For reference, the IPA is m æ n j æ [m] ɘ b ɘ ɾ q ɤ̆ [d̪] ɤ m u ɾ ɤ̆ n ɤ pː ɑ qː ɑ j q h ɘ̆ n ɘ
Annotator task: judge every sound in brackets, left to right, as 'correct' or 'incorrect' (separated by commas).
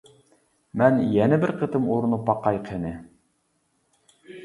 incorrect, incorrect